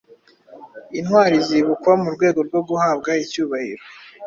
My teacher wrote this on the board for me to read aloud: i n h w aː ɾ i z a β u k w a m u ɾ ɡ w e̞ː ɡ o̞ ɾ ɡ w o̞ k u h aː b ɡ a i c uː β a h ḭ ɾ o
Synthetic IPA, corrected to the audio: i n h w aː ɾ i z i β u k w a m u ɾ ɡ w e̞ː ɡ o̞ ɾ ɡ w o̞ ɡ u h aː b ɡ a i c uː β a h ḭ ɾ o